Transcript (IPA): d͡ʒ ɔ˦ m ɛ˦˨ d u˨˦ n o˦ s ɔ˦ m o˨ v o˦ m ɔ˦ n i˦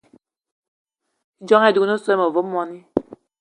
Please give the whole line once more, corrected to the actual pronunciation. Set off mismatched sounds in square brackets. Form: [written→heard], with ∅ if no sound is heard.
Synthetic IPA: d͡ʒ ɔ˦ [m→ŋ] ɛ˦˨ d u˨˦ n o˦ s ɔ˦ m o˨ v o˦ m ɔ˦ n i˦